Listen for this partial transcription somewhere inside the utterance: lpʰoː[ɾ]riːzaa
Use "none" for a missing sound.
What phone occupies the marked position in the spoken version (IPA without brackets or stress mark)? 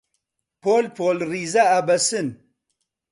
l